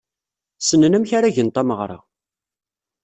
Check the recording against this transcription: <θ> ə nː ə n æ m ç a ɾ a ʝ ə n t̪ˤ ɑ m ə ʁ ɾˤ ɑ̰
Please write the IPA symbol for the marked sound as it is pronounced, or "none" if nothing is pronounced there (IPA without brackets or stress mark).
s